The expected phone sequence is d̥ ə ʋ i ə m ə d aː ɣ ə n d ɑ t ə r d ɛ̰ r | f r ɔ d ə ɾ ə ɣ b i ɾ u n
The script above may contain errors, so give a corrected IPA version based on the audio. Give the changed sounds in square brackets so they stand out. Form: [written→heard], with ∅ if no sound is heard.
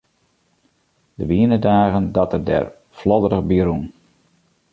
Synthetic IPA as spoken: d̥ ə ʋ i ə [m→n] ə d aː ɣ ə n d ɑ t ə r d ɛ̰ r | f [r→l] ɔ d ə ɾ ə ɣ b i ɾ u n